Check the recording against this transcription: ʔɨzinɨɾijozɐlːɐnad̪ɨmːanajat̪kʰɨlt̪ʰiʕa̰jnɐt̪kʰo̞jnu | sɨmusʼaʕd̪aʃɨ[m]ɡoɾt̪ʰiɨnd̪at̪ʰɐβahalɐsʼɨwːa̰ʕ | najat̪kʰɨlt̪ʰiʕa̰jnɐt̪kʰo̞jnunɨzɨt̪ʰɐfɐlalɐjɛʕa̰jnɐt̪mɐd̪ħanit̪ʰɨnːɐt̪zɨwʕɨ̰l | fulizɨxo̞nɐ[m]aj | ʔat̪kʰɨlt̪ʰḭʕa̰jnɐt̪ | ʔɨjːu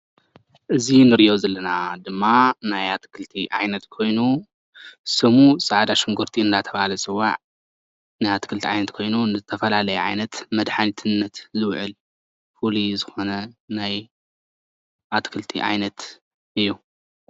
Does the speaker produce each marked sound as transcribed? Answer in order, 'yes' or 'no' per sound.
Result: no, no

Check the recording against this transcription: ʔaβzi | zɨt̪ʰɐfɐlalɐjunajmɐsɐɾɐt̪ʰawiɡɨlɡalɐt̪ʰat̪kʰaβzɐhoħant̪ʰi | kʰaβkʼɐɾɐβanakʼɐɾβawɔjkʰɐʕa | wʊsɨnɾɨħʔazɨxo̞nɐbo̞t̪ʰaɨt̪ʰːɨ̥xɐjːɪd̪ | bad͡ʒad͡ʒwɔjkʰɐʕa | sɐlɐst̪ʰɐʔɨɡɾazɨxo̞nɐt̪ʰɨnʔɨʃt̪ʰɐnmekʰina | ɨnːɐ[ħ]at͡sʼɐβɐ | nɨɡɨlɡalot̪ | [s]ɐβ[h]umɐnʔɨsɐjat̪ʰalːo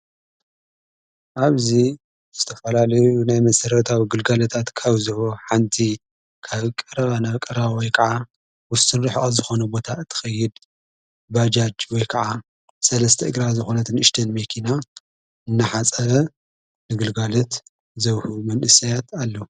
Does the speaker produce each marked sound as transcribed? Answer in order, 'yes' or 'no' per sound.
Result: yes, no, yes

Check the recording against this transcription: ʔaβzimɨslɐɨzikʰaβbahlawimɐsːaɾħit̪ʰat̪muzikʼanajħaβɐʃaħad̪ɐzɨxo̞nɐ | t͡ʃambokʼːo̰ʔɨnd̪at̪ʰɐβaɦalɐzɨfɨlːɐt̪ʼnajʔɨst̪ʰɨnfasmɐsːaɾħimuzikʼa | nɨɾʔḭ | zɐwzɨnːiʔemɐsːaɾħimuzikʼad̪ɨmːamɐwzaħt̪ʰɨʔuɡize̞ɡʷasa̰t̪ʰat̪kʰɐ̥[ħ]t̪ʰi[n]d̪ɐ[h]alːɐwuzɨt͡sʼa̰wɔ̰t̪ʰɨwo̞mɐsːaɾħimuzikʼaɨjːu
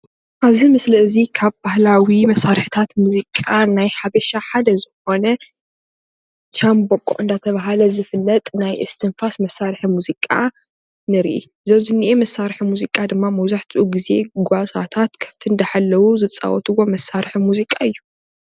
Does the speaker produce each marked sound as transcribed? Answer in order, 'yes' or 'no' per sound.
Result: no, yes, no

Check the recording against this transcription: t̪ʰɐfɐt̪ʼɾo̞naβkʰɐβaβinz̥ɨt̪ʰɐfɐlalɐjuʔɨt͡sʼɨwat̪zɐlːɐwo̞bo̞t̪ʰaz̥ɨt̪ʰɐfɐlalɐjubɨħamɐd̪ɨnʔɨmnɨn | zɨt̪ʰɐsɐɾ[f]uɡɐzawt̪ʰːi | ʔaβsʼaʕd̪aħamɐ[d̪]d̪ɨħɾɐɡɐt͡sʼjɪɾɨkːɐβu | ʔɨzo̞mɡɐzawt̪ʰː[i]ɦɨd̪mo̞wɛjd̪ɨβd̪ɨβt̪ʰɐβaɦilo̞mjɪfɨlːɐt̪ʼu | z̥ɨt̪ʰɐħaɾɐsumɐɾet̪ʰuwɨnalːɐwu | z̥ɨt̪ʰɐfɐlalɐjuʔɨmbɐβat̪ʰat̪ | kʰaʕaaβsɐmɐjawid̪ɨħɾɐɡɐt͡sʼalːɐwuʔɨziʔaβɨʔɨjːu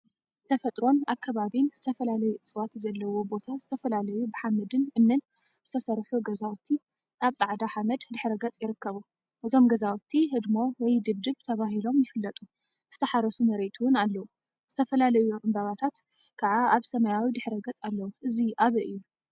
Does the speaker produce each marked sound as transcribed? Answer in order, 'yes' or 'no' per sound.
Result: no, yes, yes

